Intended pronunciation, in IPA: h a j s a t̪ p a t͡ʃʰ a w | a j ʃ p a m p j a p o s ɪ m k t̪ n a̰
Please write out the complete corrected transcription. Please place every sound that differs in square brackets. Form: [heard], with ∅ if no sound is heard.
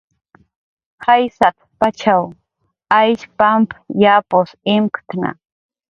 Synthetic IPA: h a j s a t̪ p a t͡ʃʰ a w | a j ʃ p a m p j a p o s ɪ m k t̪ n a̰